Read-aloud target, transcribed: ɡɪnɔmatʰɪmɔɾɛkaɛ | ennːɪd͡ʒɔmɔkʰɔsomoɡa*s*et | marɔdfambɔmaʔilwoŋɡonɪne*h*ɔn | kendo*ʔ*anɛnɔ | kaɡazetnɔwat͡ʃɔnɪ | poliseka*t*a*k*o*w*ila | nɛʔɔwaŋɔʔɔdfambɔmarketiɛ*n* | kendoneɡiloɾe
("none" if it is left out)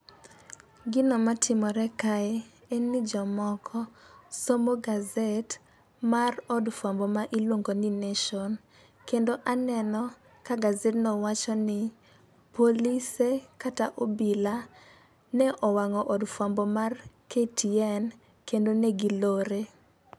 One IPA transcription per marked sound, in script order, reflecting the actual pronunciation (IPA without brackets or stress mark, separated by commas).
z, ʃ, ʔ, t, ʔ, b, n